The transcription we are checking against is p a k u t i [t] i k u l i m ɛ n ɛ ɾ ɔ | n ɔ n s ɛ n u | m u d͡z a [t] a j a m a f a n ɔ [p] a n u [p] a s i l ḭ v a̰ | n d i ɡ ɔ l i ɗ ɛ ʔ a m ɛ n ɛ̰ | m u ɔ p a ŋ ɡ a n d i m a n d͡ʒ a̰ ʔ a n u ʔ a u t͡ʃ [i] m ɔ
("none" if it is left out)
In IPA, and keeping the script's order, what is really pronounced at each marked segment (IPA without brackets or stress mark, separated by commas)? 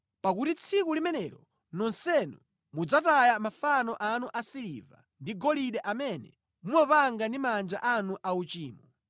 t͡sʰ, t, ʔ, ʔ, iː